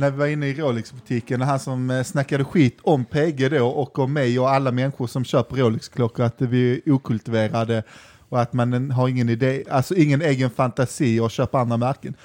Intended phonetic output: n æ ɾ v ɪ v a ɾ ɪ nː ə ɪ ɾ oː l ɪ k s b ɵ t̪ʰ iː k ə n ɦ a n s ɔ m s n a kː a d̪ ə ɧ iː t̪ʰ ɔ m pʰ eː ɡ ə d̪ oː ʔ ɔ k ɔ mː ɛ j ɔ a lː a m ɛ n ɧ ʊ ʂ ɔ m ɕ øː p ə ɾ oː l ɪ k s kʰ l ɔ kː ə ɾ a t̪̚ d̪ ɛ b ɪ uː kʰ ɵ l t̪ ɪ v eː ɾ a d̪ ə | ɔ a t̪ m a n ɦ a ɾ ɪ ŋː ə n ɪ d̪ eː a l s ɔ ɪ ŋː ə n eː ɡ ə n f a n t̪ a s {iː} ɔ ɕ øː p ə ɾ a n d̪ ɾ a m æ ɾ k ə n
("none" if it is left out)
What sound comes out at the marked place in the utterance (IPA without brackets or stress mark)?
iː